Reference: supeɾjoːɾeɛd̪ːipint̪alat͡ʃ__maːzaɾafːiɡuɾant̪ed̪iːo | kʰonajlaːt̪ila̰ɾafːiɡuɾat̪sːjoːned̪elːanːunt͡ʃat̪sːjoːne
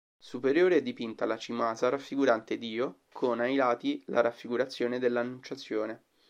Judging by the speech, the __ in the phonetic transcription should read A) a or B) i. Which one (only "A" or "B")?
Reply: B